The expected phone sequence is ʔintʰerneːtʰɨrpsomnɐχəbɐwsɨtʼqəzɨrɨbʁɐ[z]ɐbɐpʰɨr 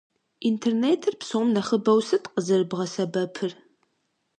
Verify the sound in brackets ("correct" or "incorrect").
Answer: incorrect